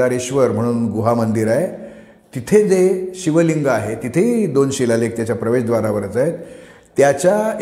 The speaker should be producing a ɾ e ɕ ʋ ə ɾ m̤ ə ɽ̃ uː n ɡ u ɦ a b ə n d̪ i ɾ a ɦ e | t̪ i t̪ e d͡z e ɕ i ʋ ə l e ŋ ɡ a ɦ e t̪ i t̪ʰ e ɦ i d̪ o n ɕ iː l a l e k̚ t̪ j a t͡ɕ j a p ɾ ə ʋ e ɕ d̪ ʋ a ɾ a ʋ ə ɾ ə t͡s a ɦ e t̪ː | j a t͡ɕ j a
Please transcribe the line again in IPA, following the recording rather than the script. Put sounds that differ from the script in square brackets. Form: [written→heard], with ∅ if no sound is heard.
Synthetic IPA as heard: a ɾ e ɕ ʋ ə ɾ m̤ ə ɽ̃ uː n ɡ u ɦ a [b→m] ə n d̪ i ɾ a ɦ e | t̪ i [t̪→t̪ʰ] e d͡z e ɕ i ʋ ə l [e→i] ŋ ɡ a ɦ e t̪ i t̪ʰ e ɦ i d̪ o n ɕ [iː→i] l a l e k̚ t̪ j a t͡ɕ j a p ɾ ə ʋ e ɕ d̪ ʋ a ɾ a ʋ ə ɾ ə t͡s a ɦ e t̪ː | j a t͡ɕ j a